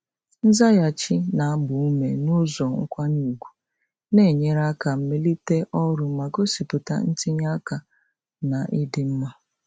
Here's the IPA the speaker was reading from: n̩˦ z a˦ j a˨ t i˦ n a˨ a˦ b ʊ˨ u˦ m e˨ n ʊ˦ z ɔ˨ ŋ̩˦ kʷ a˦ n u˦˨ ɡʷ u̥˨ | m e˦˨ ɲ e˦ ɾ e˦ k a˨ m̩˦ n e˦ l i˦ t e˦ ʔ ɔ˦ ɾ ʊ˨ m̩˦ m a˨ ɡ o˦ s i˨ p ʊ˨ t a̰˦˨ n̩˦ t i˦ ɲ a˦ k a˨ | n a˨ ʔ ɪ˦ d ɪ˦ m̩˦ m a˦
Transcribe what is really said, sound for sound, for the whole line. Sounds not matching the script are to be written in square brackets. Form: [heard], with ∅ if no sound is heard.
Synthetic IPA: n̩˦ z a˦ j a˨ [t͡ʃ] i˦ n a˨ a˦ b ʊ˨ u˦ m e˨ n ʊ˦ z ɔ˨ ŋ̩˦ kʷ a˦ n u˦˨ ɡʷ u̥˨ | [n] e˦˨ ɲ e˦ ɾ [a˦] k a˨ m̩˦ [m] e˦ l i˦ t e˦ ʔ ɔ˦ ɾ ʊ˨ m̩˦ m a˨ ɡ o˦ s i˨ p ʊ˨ t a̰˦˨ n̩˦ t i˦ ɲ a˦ k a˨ | n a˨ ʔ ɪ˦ d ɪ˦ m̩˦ m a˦